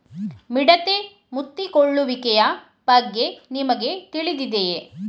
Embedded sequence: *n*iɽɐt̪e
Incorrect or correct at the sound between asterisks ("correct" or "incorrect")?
incorrect